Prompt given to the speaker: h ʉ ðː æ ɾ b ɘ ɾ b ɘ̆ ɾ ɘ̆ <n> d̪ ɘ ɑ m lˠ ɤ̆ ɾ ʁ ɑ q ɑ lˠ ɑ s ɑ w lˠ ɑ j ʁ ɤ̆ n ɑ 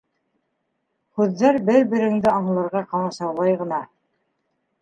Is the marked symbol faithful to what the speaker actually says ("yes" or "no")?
no